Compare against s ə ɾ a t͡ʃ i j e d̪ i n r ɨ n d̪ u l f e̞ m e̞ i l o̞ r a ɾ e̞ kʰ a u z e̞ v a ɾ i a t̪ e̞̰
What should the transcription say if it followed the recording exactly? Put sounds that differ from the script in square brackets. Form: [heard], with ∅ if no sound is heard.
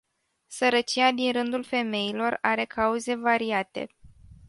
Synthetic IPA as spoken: s ə ɾ [ə] t͡ʃ i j [a] d̪ i n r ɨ n d̪ u l f e̞ m e̞ i l o̞ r a ɾ e̞ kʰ a u z e̞ v a ɾ i a t̪ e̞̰